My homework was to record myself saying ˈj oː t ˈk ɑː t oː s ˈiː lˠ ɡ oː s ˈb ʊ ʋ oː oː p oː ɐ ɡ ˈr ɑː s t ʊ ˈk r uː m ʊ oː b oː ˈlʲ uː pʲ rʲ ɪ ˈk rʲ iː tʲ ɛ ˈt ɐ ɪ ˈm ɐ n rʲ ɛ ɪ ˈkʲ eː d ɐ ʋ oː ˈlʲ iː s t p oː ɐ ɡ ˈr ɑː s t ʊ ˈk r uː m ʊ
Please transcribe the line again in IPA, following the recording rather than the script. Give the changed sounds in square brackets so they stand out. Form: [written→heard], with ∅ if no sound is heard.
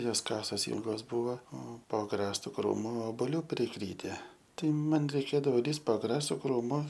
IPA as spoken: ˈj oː [t→s] ˈk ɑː [t→s] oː s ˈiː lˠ ɡ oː s ˈb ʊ ʋ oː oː p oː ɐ ɡ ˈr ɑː s t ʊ ˈk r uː m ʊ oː b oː ˈlʲ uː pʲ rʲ ɪ ˈk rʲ iː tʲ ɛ ˈt ɐ ɪ ˈm ɐ n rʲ ɛ ɪ ˈkʲ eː d ɐ ʋ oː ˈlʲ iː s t p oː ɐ ɡ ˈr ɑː s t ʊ ˈk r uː m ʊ